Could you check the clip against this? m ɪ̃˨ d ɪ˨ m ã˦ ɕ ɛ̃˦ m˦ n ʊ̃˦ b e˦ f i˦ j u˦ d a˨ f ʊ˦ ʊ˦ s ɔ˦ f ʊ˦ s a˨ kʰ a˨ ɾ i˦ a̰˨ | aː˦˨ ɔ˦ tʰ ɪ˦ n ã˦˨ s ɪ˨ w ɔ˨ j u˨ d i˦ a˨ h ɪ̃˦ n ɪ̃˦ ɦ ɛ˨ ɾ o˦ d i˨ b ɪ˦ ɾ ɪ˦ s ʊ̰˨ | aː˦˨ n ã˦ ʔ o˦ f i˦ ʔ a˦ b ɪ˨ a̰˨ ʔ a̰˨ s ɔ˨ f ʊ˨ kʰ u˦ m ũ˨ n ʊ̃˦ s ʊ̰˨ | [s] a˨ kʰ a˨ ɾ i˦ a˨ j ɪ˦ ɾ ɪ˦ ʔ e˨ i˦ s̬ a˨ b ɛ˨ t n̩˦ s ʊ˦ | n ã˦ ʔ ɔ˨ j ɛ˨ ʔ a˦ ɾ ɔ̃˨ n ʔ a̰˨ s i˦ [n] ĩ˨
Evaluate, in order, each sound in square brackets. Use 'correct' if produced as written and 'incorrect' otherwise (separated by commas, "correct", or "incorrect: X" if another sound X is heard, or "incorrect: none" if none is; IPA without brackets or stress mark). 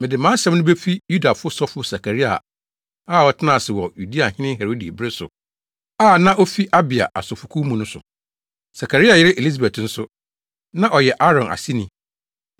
correct, correct